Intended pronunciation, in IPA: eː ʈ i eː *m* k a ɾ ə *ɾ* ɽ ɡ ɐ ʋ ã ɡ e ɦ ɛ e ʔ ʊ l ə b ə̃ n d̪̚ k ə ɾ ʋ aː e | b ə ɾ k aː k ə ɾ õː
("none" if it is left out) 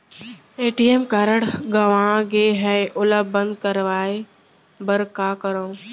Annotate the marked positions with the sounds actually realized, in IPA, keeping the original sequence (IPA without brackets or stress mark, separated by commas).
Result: m, none